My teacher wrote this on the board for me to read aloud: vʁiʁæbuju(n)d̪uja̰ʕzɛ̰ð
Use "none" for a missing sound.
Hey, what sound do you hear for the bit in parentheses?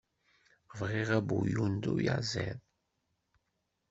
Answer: n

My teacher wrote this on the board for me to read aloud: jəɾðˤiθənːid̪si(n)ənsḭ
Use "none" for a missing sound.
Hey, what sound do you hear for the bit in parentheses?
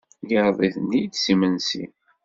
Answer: m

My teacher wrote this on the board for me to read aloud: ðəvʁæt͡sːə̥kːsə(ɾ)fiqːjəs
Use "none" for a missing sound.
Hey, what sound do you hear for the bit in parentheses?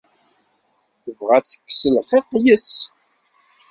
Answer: l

